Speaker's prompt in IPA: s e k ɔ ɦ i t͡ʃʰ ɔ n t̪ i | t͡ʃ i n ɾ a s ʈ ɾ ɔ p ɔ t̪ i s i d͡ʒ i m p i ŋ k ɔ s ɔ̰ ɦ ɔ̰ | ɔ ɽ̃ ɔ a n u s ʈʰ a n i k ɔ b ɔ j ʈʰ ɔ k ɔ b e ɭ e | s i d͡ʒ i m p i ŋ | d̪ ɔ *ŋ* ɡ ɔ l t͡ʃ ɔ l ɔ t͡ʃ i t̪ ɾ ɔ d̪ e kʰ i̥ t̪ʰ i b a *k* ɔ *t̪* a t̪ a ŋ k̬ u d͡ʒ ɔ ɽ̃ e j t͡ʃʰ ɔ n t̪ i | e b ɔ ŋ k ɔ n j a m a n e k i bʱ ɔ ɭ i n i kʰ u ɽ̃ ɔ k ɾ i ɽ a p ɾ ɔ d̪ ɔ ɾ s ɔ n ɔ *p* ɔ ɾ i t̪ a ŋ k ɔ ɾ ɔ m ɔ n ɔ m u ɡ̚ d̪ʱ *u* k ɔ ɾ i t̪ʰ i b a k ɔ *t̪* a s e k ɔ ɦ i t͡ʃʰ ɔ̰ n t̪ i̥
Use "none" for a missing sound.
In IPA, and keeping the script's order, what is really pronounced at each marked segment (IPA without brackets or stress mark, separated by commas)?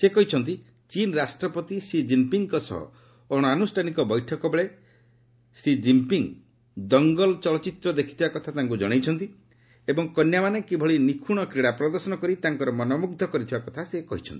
ŋ, k, t̪ʰ, k, ɔ, t̪ʰ